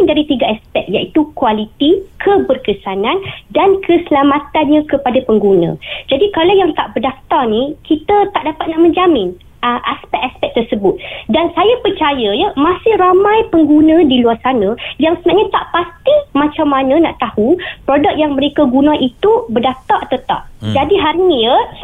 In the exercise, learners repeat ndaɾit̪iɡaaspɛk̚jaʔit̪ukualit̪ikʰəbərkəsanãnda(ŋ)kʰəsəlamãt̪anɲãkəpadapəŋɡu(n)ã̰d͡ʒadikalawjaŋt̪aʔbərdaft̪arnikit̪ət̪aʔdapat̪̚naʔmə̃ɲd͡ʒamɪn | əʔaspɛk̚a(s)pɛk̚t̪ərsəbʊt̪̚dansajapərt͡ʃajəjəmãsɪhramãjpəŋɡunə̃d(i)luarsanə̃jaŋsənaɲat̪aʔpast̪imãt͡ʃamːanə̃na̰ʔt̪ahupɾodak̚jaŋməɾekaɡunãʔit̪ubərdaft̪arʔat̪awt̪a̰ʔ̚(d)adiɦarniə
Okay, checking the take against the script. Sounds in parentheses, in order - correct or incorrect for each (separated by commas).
incorrect, correct, correct, correct, incorrect